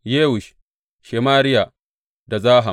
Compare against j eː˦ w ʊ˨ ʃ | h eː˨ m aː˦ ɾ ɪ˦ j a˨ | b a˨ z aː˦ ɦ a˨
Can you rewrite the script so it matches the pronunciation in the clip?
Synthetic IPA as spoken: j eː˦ w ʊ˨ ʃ | ʃ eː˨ m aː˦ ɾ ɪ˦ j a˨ | d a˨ z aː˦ ɦ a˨